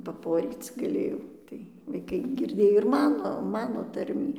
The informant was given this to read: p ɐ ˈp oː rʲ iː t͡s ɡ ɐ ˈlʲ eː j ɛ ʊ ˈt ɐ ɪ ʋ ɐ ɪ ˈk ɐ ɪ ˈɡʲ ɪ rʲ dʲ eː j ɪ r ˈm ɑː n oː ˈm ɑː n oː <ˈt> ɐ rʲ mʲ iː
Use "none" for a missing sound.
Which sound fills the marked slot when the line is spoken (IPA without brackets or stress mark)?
t